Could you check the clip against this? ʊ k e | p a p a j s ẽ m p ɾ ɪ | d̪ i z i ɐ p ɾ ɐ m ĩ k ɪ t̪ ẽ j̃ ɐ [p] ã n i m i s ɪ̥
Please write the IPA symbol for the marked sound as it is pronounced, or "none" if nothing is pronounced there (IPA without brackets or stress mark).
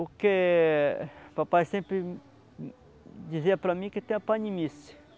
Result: p